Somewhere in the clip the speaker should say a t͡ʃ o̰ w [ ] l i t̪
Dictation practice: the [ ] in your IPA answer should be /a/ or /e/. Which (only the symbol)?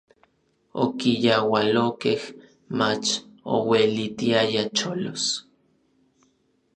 e